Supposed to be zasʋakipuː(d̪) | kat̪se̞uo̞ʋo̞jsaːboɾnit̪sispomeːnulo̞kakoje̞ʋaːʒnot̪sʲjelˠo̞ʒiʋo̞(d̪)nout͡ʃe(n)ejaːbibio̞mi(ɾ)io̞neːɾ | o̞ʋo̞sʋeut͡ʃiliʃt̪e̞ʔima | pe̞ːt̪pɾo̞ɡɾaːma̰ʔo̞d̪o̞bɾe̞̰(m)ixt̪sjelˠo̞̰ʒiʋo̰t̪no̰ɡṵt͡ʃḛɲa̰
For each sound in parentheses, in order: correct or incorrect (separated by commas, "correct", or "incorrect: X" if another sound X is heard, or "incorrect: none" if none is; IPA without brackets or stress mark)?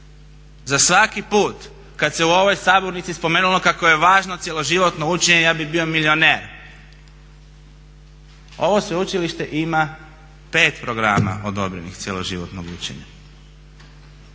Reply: incorrect: t̪, incorrect: t̪, incorrect: ɲ, incorrect: l, incorrect: n